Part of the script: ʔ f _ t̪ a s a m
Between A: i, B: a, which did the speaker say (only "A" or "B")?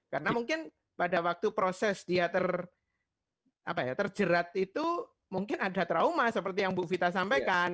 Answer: A